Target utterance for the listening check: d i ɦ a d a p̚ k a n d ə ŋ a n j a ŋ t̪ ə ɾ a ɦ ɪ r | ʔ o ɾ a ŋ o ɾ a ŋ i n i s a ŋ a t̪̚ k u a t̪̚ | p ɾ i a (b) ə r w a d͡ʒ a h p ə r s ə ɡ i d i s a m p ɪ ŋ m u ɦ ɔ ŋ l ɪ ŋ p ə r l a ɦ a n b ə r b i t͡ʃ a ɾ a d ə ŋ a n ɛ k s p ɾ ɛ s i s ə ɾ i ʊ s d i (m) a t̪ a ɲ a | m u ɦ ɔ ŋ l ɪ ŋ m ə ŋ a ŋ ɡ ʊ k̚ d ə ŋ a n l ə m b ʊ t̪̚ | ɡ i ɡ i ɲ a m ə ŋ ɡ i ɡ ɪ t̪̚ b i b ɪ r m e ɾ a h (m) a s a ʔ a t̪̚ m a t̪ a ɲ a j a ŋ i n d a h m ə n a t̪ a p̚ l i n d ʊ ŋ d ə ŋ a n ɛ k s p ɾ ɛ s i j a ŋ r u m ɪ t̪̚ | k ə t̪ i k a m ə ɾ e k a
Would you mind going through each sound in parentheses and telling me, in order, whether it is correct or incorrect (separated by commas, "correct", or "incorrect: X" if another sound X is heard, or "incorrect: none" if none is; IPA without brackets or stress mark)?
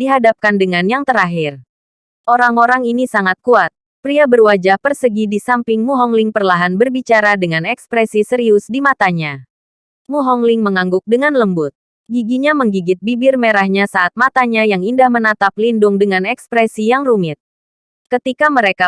correct, correct, incorrect: ɲ